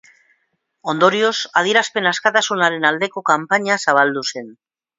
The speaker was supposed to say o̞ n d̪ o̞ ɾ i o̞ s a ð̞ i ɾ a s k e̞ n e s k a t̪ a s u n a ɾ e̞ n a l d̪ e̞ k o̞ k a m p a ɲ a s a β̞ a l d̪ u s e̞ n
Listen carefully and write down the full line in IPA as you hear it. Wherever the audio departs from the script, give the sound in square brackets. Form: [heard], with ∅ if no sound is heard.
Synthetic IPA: o̞ n d̪ o̞ ɾ i o̞ s a ð̞ i ɾ a s [p] e̞ n [a] s k a t̪ a s u n a ɾ e̞ n a l d̪ e̞ k o̞ k a m p a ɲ a s a β̞ a l d̪ u s e̞ n